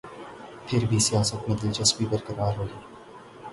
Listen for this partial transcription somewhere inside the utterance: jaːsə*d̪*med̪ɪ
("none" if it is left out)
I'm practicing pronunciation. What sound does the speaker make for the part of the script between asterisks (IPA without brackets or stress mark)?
t̪